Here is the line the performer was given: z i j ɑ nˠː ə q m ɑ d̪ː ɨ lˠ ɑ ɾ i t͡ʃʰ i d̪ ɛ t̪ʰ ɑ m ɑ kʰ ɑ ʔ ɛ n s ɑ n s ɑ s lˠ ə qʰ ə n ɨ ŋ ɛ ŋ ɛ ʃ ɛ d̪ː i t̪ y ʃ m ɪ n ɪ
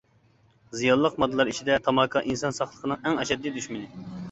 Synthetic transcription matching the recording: z i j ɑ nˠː ə q m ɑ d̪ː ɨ lˠ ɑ ɾ i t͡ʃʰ i d̪ ɛ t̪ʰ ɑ m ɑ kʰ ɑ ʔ i n s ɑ n s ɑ χ lˠ ə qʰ ə n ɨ ŋ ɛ ŋ ɛ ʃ ɛ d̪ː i d̪ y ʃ m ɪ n ɪ